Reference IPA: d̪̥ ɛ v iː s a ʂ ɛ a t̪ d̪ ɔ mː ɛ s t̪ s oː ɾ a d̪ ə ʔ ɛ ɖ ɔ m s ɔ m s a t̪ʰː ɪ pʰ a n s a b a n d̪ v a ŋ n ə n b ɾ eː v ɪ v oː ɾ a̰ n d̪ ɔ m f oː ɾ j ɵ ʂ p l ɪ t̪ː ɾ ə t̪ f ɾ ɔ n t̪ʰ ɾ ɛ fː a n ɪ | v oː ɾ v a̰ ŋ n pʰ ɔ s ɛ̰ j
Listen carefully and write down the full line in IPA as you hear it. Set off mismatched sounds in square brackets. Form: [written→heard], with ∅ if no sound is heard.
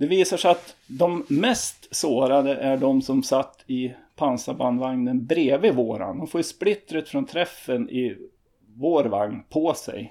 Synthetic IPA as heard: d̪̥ ɛ v iː s a ʂ ɛ a t̪ d̪ ɔ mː ɛ s t̪ s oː ɾ a d̪ ə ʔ [ɛ→æ] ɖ ɔ m s ɔ m s a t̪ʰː ɪ pʰ a n s a b a n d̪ v a ŋ n ə n b ɾ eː v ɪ v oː ɾ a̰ n d̪ ɔ m f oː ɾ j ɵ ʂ p l ɪ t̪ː ɾ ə t̪ f ɾ ɔ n t̪ʰ ɾ ɛ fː [a→ə] n ɪ | v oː ɾ v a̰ ŋ n pʰ ɔ s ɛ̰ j